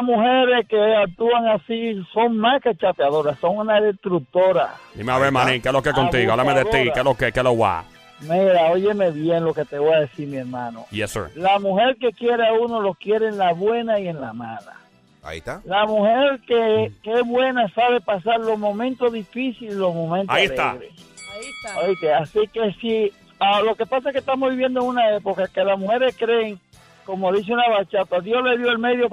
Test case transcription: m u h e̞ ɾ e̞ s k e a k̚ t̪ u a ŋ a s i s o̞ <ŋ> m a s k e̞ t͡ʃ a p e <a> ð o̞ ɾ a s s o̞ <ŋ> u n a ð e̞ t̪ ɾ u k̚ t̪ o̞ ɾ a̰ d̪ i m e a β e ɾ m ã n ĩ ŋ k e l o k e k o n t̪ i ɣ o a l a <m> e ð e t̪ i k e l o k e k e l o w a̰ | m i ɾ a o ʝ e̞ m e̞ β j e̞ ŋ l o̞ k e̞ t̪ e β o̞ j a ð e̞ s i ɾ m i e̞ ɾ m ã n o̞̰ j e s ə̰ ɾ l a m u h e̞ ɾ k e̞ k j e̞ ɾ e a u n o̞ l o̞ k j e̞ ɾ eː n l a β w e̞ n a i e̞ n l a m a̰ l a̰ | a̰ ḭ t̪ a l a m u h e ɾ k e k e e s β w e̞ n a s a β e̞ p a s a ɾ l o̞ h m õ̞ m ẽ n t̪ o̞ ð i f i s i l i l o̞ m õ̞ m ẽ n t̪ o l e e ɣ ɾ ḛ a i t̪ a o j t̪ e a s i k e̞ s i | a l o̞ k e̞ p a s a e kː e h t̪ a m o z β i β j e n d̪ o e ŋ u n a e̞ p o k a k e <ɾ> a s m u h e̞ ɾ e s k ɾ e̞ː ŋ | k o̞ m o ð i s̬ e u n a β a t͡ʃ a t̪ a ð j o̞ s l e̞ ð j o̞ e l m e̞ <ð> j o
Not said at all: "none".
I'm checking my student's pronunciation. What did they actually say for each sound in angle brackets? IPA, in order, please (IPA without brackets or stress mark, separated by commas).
ŋ, a, ŋ, m, l, ð